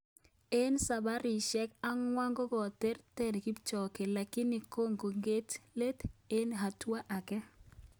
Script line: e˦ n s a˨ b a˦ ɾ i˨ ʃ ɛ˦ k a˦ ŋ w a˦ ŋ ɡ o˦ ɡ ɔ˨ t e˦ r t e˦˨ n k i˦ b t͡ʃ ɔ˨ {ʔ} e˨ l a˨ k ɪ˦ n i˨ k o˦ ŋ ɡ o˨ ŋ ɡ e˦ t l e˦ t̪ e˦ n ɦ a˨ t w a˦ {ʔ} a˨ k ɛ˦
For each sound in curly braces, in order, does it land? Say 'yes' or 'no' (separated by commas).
no, yes